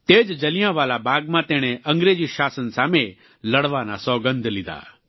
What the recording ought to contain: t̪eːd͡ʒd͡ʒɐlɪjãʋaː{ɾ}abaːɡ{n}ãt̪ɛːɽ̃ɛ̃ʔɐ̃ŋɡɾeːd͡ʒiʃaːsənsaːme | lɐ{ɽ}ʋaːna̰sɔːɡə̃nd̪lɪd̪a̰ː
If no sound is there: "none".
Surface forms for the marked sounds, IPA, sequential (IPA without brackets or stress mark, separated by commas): l, m, ɽ